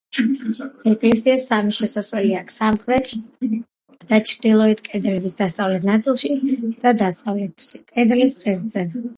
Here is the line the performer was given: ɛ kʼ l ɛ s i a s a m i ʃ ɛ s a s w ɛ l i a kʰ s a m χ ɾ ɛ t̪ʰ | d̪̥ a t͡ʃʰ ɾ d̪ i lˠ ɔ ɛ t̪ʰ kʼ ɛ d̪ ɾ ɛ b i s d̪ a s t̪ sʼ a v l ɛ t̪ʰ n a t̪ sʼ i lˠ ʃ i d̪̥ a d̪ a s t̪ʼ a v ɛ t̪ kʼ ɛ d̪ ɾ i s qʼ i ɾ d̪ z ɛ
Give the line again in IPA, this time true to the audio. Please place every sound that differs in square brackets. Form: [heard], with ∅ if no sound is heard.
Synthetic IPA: ɛ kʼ l ɛ s i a s a m i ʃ ɛ s a s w ɛ l i a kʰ s a m χ ɾ ɛ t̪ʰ | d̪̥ a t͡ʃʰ ɾ d̪ i lˠ ɔ ɛ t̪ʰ kʼ ɛ d̪ ɾ ɛ b i s d̪ a s t̪ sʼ a v l ɛ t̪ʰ n a t̪ sʼ i lˠ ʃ i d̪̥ a d̪ a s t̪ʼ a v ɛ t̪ kʼ ɛ d̪ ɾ i s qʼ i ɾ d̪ z ɛ

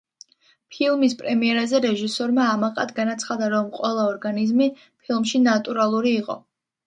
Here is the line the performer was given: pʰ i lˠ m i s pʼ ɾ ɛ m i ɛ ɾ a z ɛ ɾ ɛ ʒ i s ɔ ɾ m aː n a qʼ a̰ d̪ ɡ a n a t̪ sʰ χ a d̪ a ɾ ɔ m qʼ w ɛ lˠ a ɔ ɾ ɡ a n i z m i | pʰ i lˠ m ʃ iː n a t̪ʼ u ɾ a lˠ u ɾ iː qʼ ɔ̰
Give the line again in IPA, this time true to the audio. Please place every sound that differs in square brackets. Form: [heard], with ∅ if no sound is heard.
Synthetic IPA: pʰ i lˠ m i s pʼ ɾ ɛ m i ɛ ɾ a z ɛ ɾ ɛ ʒ i s ɔ ɾ m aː [m] a qʼ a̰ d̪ ɡ a n a t̪ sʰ χ a d̪ a ɾ ɔ m qʼ w ɛ lˠ a ɔ ɾ ɡ a n i z m i | pʰ i lˠ m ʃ [i] n a t̪ʼ u ɾ a lˠ u ɾ iː qʼ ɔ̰

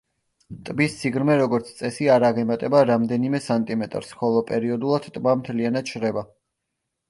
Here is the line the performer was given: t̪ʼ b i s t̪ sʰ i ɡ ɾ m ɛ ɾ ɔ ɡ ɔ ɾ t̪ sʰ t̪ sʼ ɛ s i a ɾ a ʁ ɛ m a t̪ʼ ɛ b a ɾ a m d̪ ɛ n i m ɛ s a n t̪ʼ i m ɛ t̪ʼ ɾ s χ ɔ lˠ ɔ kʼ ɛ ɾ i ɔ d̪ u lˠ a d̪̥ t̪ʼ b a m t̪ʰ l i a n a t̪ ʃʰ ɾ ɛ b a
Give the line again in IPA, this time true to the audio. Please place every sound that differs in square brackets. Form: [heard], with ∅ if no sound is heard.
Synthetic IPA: t̪ʼ b i s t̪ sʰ i ɡ ɾ m ɛ ɾ ɔ ɡ ɔ ɾ t̪ sʰ t̪ sʼ ɛ s i a ɾ a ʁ ɛ m a t̪ʼ ɛ b a ɾ a m d̪ ɛ n i m ɛ s a n t̪ʼ i m ɛ t̪ʼ ɾ s χ ɔ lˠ ɔ [pʼ] ɛ ɾ i ɔ d̪ u lˠ a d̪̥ t̪ʼ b a m t̪ʰ l i a n a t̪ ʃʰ ɾ ɛ b a

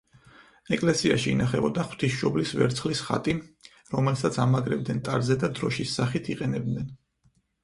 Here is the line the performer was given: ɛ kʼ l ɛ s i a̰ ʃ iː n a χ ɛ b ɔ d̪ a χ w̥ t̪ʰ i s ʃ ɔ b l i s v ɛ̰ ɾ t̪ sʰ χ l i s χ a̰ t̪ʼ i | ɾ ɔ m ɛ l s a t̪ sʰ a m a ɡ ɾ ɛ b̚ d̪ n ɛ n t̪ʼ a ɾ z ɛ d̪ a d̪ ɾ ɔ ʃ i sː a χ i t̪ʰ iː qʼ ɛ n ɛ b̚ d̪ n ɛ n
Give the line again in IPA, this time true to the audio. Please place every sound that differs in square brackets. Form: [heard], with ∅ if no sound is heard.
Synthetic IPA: ɛ kʼ l ɛ s i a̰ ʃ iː n a χ ɛ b ɔ d̪ a χ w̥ t̪ʰ i s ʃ ɔ b l i s v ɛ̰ ɾ t̪ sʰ χ l i s χ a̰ t̪ʼ i | ɾ ɔ m ɛ l s a t̪ sʰ a m a ɡ ɾ ɛ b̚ d̪ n ɛ n t̪ʼ a ɾ z ɛ d̪ a d̪ ɾ ɔ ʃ i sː a χ i t̪ʰ [i] qʼ ɛ n ɛ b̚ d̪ n ɛ n

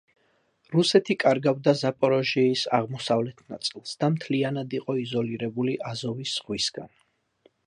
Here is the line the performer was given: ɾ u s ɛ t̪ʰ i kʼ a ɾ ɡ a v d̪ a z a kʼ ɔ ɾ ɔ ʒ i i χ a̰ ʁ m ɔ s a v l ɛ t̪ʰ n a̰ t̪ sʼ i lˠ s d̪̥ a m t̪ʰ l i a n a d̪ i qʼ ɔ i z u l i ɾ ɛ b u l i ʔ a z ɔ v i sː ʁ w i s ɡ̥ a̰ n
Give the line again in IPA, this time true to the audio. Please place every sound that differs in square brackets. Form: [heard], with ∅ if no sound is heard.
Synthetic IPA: ɾ u s ɛ t̪ʰ i kʼ a ɾ ɡ a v d̪ a z a [pʼ] ɔ ɾ ɔ ʒ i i [s] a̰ ʁ m ɔ s a v l ɛ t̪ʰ n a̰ t̪ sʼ i lˠ s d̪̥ a m t̪ʰ l i a n a d̪ i qʼ ɔ i z [ɔ] l i ɾ ɛ b u l i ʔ a z ɔ v i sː ʁ w i s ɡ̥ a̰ n

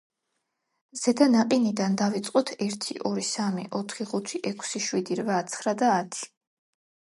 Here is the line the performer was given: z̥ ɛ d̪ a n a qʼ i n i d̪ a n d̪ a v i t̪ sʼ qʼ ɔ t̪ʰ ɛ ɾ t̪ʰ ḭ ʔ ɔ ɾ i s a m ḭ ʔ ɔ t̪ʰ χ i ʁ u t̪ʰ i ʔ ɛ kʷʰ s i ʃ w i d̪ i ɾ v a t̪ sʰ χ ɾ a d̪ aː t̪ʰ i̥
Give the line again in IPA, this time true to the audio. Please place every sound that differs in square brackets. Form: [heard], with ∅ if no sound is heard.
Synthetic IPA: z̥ ɛ d̪ a n a qʼ i n i d̪ a n d̪ a v i t̪ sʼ qʼ ɔ t̪ʰ ɛ ɾ t̪ʰ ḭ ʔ ɔ ɾ i s a m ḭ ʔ ɔ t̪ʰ χ i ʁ u t̪ʰ i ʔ ɛ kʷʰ s i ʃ w i d̪ i ɾ v a t̪ sʰ χ ɾ a d̪ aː t̪ʰ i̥

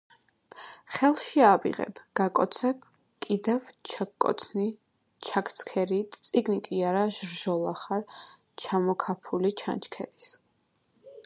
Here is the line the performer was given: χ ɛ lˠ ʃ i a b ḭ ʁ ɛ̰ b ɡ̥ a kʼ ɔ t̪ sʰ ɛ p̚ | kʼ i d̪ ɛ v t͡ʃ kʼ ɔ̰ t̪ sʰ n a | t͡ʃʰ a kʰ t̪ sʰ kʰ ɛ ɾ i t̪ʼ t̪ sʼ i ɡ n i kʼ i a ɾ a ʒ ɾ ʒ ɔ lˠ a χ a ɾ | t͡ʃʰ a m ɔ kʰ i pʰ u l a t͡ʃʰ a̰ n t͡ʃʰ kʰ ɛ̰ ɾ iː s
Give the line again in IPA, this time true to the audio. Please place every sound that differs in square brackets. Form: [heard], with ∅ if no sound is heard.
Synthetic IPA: χ ɛ lˠ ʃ i a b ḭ ʁ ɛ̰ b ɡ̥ a kʼ ɔ t̪ sʰ ɛ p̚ | kʼ i d̪ ɛ v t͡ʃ kʼ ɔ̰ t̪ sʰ n [i] | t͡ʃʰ a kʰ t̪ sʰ kʰ ɛ ɾ i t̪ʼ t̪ sʼ i ɡ n i kʼ i a ɾ a ʒ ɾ ʒ ɔ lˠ a χ a ɾ | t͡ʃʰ a m ɔ kʰ [a] pʰ u l [i] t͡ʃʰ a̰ n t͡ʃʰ kʰ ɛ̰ ɾ [i] s

